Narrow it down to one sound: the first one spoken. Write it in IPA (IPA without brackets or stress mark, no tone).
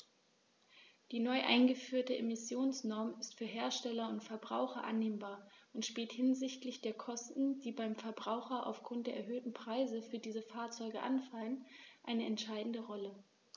d̥